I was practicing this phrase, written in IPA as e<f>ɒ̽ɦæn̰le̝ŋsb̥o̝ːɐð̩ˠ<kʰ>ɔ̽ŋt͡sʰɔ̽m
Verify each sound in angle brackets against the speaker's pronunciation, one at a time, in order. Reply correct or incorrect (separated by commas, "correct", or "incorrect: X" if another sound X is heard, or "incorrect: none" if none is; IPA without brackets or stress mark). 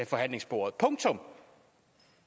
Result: correct, incorrect: pʰ